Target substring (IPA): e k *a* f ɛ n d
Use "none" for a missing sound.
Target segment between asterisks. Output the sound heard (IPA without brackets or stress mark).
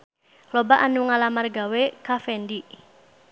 a